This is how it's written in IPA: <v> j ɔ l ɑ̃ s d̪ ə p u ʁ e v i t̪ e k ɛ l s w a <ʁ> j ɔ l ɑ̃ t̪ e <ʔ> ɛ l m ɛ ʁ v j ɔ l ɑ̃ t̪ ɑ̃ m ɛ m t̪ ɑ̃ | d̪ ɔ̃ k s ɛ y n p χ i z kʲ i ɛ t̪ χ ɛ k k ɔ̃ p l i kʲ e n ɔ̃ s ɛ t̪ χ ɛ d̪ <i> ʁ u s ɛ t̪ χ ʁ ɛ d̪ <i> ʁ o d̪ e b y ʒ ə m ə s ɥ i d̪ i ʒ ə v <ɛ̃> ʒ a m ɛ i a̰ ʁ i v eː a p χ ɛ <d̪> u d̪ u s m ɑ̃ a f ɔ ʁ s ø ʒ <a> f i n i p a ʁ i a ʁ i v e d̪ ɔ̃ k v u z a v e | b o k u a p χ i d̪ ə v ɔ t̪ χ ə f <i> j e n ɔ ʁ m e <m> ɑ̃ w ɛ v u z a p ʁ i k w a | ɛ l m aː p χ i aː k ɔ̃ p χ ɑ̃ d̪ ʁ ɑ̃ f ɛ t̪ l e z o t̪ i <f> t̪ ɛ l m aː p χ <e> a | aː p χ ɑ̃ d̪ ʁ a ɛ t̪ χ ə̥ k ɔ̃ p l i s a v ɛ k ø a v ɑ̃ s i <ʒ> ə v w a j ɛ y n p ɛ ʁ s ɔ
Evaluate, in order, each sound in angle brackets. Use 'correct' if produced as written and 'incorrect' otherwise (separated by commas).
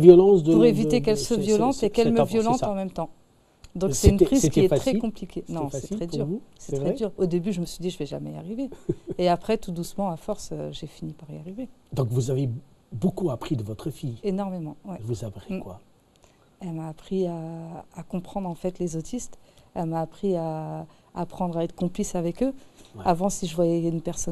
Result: correct, incorrect, incorrect, incorrect, incorrect, incorrect, incorrect, incorrect, correct, correct, incorrect, incorrect, correct